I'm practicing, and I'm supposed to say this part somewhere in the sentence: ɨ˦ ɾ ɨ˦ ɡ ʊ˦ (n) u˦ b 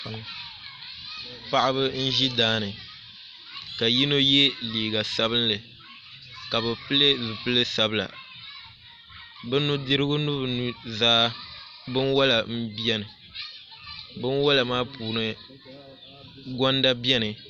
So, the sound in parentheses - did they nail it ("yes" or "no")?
yes